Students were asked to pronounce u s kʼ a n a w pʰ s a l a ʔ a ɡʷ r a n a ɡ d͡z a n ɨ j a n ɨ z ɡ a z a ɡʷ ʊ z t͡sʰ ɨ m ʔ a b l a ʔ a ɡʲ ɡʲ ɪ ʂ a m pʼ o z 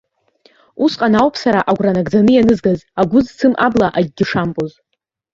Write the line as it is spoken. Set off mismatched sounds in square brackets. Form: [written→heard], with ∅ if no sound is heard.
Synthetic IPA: u s [kʼ→qʼ] a n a w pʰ s a [l→ɾ] a ʔ a ɡʷ r a n a ɡ d͡z a n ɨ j a n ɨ z ɡ a z a ɡʷ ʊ z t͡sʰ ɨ m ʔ a b l a ʔ a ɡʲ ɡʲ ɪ ʂ a m pʼ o z